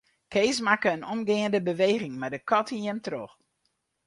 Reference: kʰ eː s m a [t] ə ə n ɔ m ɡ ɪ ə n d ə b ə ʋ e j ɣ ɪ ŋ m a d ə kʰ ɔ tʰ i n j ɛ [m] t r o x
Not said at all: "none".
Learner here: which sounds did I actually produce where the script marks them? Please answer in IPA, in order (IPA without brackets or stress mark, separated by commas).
k, m